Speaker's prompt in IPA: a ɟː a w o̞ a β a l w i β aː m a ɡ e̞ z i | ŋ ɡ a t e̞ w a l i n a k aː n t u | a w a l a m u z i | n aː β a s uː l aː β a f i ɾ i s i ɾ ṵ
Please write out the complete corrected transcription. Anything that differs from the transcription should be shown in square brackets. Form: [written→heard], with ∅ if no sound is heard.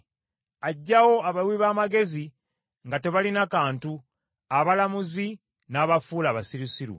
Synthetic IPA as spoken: a ɟː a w o̞ a β a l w i β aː m a ɡ e̞ z i | ŋ ɡ a t e̞ [w→β] a l i n a k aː n t u | a [w→β] a l a m u z i | n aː β a [s→f] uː l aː β a [f→s] i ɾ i s i ɾ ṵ